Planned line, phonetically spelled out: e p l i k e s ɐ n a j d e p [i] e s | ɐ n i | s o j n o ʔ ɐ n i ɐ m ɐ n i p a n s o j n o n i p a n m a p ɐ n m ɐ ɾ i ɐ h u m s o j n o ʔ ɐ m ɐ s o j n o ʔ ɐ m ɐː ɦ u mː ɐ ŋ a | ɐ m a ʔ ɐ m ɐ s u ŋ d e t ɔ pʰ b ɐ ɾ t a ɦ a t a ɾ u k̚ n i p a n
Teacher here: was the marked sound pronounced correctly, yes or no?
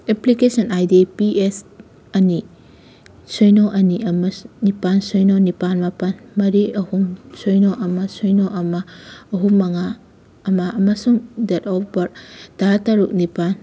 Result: yes